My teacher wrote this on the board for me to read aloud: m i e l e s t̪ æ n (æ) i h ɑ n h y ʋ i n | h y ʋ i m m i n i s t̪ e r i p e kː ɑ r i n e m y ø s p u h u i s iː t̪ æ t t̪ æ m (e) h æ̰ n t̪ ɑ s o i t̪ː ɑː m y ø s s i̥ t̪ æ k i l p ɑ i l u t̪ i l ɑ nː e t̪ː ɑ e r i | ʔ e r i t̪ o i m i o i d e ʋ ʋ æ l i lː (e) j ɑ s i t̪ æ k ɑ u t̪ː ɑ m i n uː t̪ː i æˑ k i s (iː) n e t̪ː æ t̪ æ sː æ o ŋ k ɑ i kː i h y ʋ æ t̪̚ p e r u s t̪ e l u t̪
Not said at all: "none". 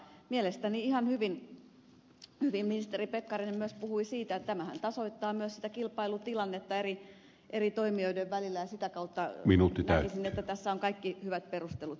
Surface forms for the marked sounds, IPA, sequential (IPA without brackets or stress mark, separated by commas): i, æ, æ, i